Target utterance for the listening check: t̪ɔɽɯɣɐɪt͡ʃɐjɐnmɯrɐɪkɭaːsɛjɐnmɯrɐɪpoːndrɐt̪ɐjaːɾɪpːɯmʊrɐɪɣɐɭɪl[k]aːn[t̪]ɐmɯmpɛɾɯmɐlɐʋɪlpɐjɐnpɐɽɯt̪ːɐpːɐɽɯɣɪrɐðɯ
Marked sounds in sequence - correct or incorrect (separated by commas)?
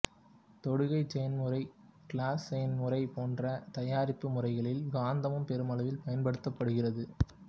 incorrect, incorrect